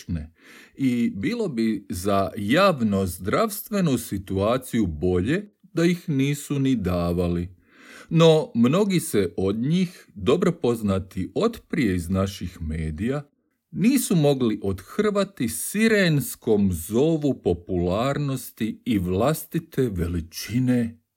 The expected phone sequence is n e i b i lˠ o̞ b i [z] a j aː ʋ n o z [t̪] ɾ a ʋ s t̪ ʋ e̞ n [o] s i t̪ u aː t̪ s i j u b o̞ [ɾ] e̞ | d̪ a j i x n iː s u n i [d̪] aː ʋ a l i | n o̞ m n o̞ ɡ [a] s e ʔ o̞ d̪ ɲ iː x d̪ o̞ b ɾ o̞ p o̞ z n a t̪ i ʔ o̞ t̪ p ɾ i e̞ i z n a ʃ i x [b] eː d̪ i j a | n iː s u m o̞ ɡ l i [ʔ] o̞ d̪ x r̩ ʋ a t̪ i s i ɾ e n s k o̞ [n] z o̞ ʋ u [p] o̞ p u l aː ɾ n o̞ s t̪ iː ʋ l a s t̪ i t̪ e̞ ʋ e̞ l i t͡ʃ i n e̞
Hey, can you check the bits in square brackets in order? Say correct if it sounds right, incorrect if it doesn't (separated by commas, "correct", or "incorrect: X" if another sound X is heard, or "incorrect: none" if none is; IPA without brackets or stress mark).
correct, incorrect: d̪, incorrect: u, incorrect: ʎ, correct, incorrect: i, incorrect: m, correct, incorrect: m, correct